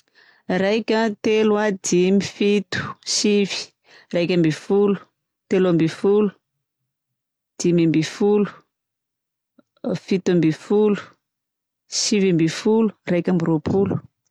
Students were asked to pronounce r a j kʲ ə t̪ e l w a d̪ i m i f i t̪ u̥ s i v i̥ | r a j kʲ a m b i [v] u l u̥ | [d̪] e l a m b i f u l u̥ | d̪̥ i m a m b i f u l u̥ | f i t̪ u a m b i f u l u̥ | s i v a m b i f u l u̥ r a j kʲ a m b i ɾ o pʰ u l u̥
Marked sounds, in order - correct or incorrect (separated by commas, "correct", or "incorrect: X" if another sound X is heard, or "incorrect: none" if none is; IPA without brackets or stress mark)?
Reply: incorrect: f, incorrect: t̪